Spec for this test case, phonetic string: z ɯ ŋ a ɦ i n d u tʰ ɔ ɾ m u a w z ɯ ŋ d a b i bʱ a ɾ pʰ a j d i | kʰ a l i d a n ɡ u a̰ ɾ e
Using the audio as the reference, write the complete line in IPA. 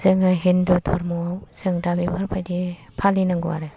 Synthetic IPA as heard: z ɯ ŋ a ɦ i n d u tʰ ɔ ɾ m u a w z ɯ ŋ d a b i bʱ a ɾ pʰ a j d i | pʰ a l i n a ŋ ɡ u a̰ ɾ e